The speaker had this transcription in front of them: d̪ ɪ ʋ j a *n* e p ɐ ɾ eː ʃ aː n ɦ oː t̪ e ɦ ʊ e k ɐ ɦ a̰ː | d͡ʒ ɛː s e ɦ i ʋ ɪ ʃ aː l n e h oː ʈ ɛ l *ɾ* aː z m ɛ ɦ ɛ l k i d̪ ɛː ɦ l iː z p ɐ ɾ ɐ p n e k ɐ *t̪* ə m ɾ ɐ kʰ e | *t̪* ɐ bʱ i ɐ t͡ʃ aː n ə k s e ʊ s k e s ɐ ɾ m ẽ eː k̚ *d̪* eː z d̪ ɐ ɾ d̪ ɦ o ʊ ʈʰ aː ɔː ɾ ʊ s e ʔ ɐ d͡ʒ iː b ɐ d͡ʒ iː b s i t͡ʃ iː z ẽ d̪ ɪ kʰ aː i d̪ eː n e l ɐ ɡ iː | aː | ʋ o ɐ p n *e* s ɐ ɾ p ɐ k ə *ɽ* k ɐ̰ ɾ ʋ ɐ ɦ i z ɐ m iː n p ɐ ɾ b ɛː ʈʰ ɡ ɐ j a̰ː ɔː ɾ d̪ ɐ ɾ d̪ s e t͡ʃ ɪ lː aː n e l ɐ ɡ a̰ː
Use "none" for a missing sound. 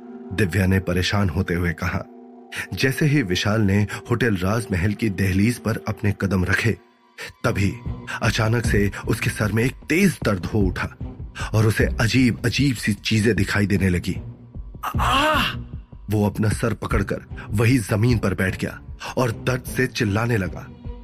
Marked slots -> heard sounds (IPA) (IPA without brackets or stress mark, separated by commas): n, ɾ, d̪, t̪, t̪, a, ɽ